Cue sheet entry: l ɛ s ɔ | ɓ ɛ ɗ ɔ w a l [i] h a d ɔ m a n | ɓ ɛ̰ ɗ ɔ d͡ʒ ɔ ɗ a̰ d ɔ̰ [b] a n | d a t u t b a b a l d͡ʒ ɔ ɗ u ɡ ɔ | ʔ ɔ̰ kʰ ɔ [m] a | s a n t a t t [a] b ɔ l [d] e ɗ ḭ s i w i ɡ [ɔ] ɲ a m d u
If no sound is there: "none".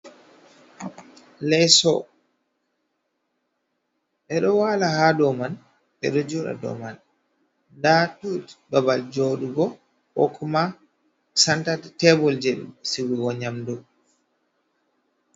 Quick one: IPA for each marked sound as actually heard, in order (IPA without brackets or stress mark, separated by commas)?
a, m, m, ɛ, d͡ʒ, ɔ